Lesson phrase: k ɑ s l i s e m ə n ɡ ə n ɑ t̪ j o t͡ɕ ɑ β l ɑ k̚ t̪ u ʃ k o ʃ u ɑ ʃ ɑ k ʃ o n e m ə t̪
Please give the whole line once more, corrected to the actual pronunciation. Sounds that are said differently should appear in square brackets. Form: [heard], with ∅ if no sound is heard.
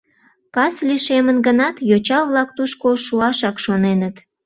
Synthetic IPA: k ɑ s l i [ʃ] e m ə n ɡ ə n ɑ t̪ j o t͡ɕ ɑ β l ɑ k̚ t̪ u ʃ k o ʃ u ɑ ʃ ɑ k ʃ o n e [n] ə t̪